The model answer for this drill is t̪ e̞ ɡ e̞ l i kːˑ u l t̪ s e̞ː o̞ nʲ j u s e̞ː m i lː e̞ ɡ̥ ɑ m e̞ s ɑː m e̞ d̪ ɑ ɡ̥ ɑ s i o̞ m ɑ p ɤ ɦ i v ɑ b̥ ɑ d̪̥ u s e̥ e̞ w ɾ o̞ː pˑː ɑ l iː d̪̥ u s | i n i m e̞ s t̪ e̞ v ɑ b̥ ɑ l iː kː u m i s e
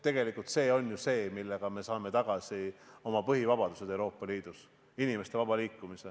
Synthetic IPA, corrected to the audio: t̪ e̞ ɡ e̞ l i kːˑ u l t̪ s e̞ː o̞ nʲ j u s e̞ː m i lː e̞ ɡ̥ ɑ m e̞ s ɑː m e̞ t̪ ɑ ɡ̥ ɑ s i o̞ m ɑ p ɤ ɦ i v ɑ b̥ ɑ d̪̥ u s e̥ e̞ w ɾ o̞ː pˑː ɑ l iː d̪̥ u s | i n i m e̞ s t̪ e̞ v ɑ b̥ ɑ l iː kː u m i s e